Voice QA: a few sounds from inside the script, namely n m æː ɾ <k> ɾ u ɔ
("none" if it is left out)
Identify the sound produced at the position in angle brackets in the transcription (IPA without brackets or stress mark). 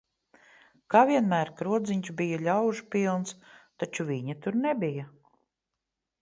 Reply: k